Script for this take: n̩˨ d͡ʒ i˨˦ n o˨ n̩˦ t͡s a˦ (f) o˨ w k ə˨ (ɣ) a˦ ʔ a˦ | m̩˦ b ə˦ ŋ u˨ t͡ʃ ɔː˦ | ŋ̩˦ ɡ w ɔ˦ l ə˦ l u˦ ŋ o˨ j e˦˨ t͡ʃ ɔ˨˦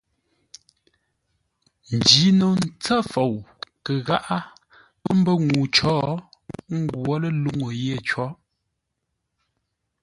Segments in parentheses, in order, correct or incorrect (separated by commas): correct, correct